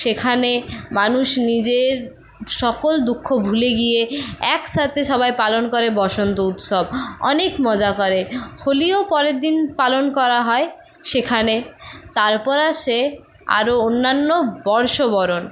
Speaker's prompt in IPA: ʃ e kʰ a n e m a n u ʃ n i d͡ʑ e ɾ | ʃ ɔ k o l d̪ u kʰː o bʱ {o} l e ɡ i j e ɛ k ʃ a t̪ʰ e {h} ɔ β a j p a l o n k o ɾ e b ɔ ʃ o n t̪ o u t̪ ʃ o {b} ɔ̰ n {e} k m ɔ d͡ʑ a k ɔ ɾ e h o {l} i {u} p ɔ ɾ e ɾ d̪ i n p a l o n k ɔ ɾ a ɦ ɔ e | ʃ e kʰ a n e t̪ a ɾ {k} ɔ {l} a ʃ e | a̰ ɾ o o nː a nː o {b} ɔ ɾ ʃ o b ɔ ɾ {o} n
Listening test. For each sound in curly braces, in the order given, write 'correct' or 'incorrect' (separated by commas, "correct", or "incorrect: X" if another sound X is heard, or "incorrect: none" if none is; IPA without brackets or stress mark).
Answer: incorrect: u, incorrect: ʃ, correct, correct, correct, incorrect: o, incorrect: p, incorrect: ɾ, correct, correct